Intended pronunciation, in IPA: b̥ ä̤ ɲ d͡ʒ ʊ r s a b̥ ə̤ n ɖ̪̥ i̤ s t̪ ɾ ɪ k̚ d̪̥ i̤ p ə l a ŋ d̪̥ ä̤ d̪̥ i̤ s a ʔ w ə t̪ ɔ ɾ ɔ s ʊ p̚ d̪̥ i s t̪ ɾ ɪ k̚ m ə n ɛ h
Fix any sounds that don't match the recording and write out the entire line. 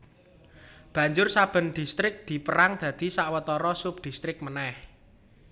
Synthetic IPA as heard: b̥ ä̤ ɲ d͡ʒ ʊ r s a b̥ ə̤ n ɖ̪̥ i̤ s t̪ ɾ ɪ k̚ d̪̥ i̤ p ə ɾ a ŋ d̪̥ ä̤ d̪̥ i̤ s a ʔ w ə t̪ ɔ ɾ ɔ s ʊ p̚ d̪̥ i s t̪ ɾ ɪ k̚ m ə n ɛ h